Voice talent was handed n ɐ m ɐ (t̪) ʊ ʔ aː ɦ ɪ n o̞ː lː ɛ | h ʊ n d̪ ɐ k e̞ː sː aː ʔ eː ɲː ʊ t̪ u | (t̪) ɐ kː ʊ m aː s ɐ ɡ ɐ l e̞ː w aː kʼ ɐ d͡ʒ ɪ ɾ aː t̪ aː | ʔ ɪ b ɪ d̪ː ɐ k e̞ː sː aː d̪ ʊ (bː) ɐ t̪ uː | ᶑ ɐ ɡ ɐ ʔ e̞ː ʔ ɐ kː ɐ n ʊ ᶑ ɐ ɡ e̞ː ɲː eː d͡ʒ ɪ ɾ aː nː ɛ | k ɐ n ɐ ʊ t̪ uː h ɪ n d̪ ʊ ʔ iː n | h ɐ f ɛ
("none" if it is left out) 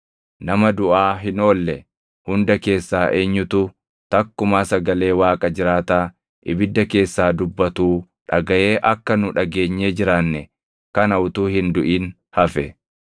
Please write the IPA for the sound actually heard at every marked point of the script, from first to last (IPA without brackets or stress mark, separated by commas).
d̪, t̪, bː